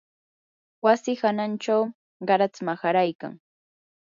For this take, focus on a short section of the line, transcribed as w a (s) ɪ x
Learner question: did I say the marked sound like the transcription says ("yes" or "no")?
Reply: yes